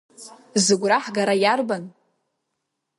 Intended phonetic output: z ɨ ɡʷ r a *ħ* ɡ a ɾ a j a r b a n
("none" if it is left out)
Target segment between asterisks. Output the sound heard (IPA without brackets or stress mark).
ħ